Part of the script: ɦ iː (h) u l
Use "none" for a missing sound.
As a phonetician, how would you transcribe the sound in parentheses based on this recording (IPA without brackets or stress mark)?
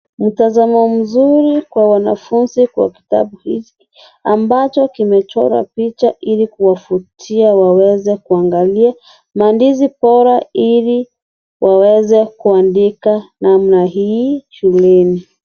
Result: ʃ